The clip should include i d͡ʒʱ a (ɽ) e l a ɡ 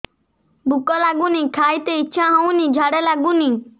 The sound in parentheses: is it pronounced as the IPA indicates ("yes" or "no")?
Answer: yes